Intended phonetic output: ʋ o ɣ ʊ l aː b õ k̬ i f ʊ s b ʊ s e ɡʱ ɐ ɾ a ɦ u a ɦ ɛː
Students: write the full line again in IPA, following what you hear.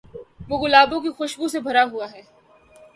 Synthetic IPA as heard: ʋ o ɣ ʊ l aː b õ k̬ i x ʊ ʃ b u s e bʱ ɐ ɾ a ɦ u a ɦ ɛː

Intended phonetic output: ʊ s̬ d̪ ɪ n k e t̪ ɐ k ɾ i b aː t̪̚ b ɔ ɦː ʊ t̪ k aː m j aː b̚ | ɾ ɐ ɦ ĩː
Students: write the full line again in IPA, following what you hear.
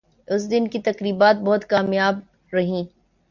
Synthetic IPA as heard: ʊ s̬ d̪ ɪ n k i t̪ ɐ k ɾ iː b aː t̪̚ b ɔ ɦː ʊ t̪ k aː m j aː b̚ | ɾ ɐ ɦ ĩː

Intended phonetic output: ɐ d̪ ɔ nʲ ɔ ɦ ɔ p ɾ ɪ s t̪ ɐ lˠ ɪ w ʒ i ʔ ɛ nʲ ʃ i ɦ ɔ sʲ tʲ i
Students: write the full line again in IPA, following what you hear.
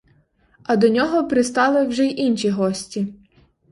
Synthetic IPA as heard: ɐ d̪ ɔ nʲ ɔ ɦ ɔ p ɾ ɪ s t̪ ɑ lˠ ɪ w ʒ ɛ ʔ i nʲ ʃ i ɦ ɔ sʲ tʲ i

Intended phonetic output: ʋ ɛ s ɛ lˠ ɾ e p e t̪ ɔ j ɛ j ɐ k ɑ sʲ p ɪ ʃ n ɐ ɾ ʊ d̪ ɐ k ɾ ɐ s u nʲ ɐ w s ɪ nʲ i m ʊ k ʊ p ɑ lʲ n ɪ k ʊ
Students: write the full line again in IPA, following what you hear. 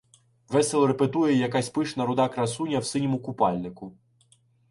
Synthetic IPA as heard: ʋ ɛ s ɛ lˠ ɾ e p e t̪ u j ɛ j ɐ k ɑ sʲ p ɪ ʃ n ɐ ɾ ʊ d̪ ɑ k ɾ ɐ s u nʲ ɐ w s ɪ nʲ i m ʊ k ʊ p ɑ lʲ n ɪ k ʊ

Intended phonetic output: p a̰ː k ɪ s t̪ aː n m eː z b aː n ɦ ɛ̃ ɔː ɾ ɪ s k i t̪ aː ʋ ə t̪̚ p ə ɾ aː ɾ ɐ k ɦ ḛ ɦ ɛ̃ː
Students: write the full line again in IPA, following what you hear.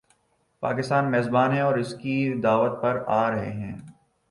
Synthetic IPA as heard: p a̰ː k ɪ s t̪ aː n m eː z b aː n ɦ ɛ̃ ɔː ɾ ɪ s k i d̪ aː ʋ ə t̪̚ p ɐ ɾ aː ɾ ɐ ɦ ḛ ɦ ɛ̃ː

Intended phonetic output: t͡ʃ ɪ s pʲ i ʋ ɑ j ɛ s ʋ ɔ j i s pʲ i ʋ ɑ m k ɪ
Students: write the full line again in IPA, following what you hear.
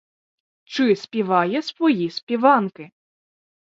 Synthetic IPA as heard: t͡ʃ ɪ s pʲ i ʋ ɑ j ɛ s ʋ ɔ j i s pʲ i ʋ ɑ n k ɪ

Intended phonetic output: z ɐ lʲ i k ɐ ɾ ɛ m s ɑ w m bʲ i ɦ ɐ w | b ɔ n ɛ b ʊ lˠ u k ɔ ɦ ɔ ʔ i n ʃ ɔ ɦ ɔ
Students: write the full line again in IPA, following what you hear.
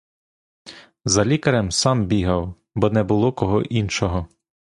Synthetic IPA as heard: z ɐ lʲ i k ɐ ɾ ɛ m s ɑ m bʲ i ɦ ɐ w | b ɔ n ɛ b ʊ lˠ ɔ k ɔ ɦ ɔ ʔ i n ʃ ɔ ɦ ɔ

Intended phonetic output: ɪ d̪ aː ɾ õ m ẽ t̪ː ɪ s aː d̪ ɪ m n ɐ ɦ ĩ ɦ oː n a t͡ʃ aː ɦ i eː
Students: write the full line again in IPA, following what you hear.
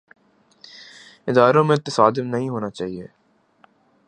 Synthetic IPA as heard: ɪ d̪ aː ɾ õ m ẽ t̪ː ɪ s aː d̪ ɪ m n ɐ ɦ ĩ ɦ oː n a t͡ʃ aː ɦ i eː

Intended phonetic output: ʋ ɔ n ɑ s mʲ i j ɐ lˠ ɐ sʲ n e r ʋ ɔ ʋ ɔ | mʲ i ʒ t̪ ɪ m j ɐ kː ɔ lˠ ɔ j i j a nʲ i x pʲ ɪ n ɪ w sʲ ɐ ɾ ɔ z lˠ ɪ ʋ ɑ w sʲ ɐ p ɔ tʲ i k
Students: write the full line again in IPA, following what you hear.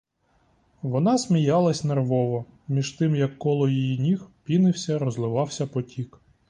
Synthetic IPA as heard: ʋ ɔ n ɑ s mʲ i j ɑ lˠ ɐ sʲ n e r ʋ ɔ ʋ ɔ | mʲ i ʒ t̪ ɪ m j ɐ kː ɔ lˠ ɔ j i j i nʲ i x pʲ i n ɪ w sʲ ɐ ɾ ɔ z lˠ ɪ ʋ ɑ w sʲ ɐ p ɔ tʲ i k

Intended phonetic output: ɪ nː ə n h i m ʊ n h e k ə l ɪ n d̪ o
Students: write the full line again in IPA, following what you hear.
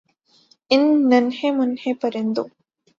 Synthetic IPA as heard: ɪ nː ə n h e m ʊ n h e p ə ɾ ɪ n d̪ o

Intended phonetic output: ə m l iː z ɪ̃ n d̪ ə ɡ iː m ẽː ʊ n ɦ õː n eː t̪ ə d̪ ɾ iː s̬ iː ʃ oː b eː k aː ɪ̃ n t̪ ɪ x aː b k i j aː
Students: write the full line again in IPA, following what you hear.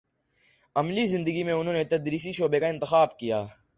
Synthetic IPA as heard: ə m l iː z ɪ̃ n d̪ ə ɡ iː m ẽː ʊ n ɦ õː n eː t̪ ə d̪ ɾ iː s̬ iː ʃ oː b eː k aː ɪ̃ n t̪ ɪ x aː b k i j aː

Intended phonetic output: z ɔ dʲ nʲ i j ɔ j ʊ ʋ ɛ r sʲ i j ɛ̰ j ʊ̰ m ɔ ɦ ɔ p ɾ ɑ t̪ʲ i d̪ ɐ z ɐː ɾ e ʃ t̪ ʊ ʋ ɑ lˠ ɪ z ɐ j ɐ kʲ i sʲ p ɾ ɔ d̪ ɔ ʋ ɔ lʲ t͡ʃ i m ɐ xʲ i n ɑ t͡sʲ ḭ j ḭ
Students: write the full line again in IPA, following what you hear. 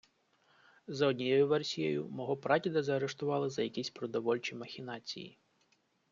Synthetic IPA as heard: z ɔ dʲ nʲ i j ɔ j ʊ ʋ ɛ r sʲ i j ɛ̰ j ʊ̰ m ɔ ɦ ɔ p ɾ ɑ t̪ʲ i d̪ ɐ z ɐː ɾ e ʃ t̪ ʊ ʋ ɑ lˠ ɪ z ɐ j ɐ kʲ i sʲ p ɾ ɔ d̪ ɔ ʋ ɔ lʲ t͡ʃ i m ɐ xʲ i n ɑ t͡sʲ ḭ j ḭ

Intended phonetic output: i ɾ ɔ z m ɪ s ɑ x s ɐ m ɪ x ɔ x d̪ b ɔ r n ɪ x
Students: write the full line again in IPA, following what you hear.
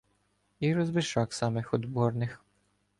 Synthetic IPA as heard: i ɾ ɔ z b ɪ ʃ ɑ k s ɑ m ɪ x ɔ d̪ b ɔ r n ɪ x

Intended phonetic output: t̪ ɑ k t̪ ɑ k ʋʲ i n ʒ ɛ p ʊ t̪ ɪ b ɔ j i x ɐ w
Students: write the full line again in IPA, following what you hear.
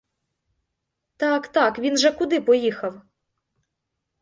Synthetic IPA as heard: t̪ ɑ k t̪ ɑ k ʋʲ i n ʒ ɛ k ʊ d̪ ɪ p ɔ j i x ɐ w

